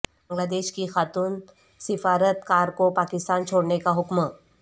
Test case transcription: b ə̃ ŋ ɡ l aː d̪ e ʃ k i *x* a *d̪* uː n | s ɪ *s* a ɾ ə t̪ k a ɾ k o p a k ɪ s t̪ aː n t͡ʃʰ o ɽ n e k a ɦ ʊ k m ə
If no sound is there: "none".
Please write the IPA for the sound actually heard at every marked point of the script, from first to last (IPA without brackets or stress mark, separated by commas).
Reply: x, t̪, f